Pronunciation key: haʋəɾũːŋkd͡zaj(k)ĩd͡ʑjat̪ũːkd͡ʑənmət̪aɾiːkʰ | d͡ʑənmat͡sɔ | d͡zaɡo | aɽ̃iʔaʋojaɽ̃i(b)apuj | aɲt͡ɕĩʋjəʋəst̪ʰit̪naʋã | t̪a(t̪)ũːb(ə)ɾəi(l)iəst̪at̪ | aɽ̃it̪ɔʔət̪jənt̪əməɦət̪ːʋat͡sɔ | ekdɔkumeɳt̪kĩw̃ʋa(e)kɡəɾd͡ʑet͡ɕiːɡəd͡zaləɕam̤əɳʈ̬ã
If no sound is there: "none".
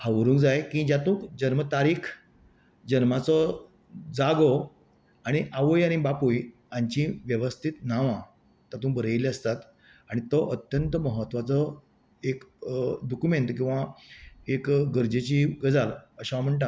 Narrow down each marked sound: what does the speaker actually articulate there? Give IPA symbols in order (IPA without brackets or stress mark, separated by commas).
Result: k, b, t̪, ə, l, e